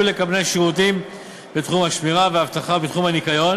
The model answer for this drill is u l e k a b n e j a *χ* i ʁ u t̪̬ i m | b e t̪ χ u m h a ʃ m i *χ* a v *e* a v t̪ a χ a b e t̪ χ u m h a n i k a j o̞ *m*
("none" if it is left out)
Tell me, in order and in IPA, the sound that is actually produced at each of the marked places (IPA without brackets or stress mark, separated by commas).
ʃ, ʁ, e, n